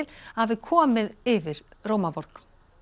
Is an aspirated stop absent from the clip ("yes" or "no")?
no